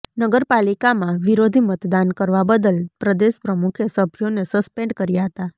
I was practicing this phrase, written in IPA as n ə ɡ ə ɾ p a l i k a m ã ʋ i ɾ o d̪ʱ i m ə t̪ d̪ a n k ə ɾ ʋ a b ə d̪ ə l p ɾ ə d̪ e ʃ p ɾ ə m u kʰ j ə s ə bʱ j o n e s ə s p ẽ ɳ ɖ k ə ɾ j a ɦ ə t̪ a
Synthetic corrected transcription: n ə ɡ ə ɾ p a l i k a m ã ʋ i ɾ o d̪ʱ i m ə t̪ d̪ a n k ə ɾ ʋ a b ə d̪ ə l p ɾ ə d̪ e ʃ p ɾ ə m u kʰ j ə s ə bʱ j o n e s ə s p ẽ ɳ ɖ k ə ɾ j a ɦ ə t̪ a